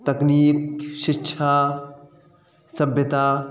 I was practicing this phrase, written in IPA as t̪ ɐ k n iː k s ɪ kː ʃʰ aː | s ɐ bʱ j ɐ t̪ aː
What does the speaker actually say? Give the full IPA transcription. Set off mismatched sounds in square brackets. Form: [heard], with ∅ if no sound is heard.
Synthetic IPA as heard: t̪ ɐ k n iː k [ʃ] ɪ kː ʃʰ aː | s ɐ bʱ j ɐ t̪ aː